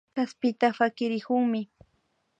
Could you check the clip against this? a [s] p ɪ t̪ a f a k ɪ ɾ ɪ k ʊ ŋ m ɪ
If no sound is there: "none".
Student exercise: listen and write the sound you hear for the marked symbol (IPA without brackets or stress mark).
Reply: s